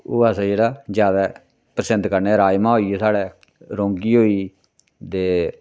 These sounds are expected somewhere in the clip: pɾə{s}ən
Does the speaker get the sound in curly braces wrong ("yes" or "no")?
no